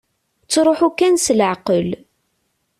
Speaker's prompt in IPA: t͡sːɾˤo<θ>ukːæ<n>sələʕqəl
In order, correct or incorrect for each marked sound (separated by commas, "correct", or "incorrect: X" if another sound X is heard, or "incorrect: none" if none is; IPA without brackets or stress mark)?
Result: incorrect: ħ, correct